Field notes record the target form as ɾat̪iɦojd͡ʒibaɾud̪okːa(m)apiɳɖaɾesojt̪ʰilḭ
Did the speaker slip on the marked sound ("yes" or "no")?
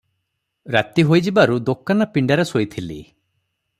yes